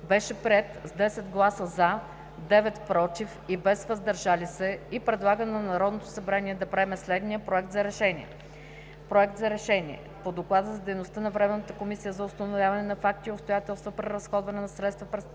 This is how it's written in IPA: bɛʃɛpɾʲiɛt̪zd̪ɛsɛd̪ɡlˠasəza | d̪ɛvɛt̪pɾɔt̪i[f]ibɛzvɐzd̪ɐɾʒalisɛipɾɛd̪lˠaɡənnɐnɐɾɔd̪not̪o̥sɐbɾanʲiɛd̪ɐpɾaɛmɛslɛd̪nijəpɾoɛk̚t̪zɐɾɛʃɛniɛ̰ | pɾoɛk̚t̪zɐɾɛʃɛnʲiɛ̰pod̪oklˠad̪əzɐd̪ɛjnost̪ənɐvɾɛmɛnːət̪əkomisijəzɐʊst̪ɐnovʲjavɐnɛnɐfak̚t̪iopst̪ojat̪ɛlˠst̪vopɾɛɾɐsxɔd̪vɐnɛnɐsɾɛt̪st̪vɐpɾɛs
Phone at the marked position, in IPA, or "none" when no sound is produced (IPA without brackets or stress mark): f